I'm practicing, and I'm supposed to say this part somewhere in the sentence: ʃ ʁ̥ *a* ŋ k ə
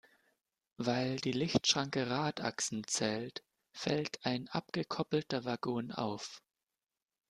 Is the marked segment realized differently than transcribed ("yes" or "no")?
no